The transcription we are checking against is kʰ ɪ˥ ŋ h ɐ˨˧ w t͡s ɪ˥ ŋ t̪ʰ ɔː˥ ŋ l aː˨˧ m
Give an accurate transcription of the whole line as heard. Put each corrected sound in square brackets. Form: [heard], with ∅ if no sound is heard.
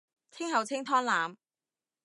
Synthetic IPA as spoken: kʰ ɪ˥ ŋ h ɐ˨˧ w [t͡sʰ] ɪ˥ ŋ t̪ʰ ɔː˥ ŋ l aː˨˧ m